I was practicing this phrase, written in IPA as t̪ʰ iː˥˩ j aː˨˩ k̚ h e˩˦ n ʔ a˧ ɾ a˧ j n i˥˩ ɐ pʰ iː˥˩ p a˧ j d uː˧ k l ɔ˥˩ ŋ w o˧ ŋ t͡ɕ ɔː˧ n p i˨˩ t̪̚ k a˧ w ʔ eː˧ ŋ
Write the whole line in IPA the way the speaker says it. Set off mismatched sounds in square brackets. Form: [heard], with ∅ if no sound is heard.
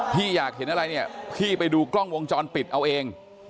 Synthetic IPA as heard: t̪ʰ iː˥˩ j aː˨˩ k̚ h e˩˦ n ʔ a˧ ɾ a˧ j n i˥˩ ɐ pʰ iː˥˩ p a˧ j d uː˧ k l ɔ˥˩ ŋ w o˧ ŋ t͡ɕ ɔː˧ n p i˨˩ t̪̚ [ʔ] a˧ w ʔ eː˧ ŋ